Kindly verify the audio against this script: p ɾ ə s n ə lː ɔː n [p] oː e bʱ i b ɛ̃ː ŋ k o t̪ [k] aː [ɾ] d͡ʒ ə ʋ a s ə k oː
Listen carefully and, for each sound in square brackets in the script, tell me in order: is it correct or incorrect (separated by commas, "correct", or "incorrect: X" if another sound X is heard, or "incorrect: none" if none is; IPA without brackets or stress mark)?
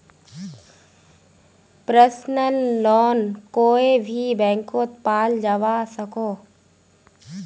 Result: incorrect: k, incorrect: p, incorrect: l